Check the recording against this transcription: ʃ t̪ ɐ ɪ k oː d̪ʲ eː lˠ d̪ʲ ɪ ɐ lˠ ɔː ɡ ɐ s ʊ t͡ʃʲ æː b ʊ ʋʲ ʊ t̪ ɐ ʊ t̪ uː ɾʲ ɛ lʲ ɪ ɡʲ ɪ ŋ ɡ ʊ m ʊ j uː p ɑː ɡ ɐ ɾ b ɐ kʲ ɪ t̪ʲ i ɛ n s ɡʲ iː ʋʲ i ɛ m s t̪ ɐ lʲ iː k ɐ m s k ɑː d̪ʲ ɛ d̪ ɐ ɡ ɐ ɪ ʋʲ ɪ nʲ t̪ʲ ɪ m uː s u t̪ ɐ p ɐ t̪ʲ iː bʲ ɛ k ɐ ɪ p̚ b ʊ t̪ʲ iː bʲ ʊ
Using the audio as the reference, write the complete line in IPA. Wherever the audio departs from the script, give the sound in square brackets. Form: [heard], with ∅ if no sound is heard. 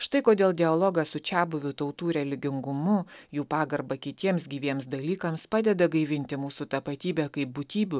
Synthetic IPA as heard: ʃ t̪ ɐ ɪ k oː d̪ʲ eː lˠ d̪ʲ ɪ ɐ lˠ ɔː ɡ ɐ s ʊ t͡ʃʲ æː b ʊ ʋʲ ʊ t̪ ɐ ʊ t̪ uː ɾʲ ɛ lʲ ɪ ɡʲ ɪ ŋ ɡ ʊ m ʊ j uː p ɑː ɡ ɐ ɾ b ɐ kʲ ɪ t̪ʲ i ɛ [m] s ɡʲ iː ʋʲ i ɛ m s [d̪] ɐ lʲ iː k ɐ m s [p] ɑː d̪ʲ ɛ d̪ ɐ ɡ ɐ ɪ ʋʲ ɪ nʲ t̪ʲ ɪ m uː s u t̪ ɐ p ɐ t̪ʲ iː bʲ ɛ k ɐ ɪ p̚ b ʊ t̪ʲ iː bʲ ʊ

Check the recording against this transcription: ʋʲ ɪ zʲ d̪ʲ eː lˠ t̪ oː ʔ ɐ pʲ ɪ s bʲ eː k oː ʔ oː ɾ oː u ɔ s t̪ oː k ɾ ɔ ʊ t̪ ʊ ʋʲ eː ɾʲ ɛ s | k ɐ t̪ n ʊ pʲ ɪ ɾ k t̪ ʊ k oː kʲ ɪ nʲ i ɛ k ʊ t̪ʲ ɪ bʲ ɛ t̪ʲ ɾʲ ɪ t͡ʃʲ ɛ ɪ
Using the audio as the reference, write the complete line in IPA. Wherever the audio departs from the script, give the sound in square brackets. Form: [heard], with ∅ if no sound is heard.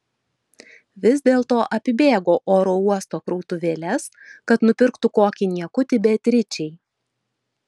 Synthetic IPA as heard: ʋʲ ɪ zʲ d̪ʲ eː lˠ t̪ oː ʔ ɐ pʲ ɪ [∅] bʲ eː [ɡ] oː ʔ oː ɾ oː u ɔ s t̪ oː k ɾ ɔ ʊ t̪ ʊ ʋʲ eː [lʲ] ɛ s | k ɐ t̪ n ʊ pʲ ɪ ɾ k t̪ ʊ k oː kʲ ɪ nʲ i ɛ k ʊ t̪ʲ ɪ bʲ ɛ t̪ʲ ɾʲ ɪ t͡ʃʲ ɛ ɪ

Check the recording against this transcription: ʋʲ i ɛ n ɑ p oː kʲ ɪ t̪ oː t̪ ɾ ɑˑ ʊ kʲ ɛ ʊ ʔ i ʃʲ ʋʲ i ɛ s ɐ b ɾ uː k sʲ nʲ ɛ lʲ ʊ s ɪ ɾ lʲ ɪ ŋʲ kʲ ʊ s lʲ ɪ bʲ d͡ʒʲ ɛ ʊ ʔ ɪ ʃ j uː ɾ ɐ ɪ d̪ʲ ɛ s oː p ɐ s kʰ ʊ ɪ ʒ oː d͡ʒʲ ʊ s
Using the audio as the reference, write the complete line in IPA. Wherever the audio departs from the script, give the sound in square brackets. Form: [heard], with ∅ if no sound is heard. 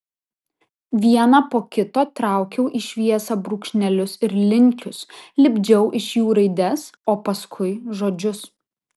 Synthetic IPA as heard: ʋʲ i ɛ n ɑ p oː kʲ ɪ t̪ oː t̪ ɾ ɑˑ ʊ kʲ ɛ ʊ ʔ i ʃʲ ʋʲ i ɛ s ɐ b ɾ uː k [ʃʲ] nʲ ɛ lʲ ʊ s ɪ ɾ lʲ ɪ ŋʲ kʲ ʊ s lʲ ɪ bʲ d͡ʒʲ ɛ ʊ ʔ ɪ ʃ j uː ɾ ɐ ɪ d̪ʲ ɛ s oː p ɐ s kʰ ʊ ɪ ʒ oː d͡ʒʲ ʊ s

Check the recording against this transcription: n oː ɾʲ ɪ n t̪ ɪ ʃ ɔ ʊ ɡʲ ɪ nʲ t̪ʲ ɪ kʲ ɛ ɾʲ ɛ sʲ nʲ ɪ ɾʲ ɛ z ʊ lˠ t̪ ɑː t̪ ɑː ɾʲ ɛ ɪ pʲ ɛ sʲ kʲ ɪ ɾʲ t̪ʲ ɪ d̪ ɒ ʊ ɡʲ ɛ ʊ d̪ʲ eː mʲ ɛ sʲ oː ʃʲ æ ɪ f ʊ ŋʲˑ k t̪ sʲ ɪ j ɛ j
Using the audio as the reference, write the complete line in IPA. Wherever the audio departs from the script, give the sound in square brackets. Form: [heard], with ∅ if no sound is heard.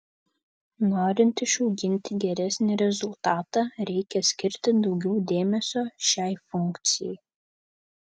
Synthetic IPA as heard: n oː ɾʲ ɪ n t̪ ɪ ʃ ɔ ʊ ɡʲ ɪ nʲ t̪ʲ ɪ [ɡʲ] ɛ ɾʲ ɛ sʲ nʲ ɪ ɾʲ ɛ z ʊ lˠ t̪ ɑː t̪ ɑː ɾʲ ɛ ɪ [kʲ] ɛ sʲ kʲ ɪ ɾʲ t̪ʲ ɪ d̪ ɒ ʊ ɡʲ ɛ ʊ d̪ʲ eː mʲ ɛ sʲ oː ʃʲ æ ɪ f ʊ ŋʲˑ k t̪ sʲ ɪ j ɛ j

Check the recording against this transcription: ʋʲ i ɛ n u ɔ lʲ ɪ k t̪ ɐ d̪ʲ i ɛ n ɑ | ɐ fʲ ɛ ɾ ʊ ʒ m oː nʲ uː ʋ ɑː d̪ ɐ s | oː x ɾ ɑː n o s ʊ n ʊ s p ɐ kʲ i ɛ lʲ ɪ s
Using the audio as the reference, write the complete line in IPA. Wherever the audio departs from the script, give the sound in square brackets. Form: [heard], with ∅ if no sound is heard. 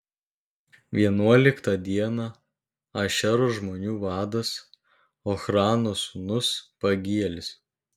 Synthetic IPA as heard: ʋʲ i ɛ n u ɔ lʲ ɪ k t̪ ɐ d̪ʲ i ɛ n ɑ | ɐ [ʃʲ] ɛ ɾ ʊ ʒ m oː nʲ uː ʋ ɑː d̪ ɐ s | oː x ɾ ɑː n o s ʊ n ʊ s p ɐ [ɡʲ] i ɛ lʲ ɪ s

